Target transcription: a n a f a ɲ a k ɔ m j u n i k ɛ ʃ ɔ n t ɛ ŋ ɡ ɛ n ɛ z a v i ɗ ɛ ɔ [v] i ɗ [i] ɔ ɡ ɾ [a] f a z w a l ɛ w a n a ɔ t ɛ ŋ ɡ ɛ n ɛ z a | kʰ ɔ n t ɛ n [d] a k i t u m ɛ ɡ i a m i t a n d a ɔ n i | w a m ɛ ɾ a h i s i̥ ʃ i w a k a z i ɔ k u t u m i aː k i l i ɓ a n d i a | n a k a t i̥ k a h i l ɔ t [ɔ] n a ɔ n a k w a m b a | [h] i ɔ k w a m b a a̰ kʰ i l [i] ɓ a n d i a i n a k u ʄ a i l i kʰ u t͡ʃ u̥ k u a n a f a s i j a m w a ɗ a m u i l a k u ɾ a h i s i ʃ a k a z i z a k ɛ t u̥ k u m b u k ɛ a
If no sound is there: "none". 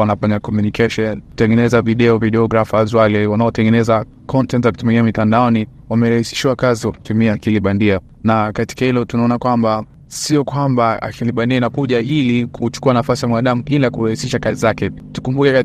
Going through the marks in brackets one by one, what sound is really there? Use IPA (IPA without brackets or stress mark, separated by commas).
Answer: v, ɛ, a, t, u, s, i